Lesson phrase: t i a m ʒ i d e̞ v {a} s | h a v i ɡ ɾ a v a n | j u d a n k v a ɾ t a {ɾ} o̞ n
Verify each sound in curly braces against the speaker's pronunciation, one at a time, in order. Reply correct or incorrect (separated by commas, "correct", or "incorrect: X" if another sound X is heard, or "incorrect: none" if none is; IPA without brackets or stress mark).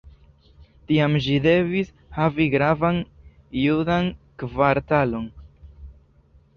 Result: incorrect: i, incorrect: l